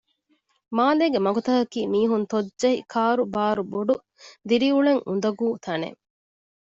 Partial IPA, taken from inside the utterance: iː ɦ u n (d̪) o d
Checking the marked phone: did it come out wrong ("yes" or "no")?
yes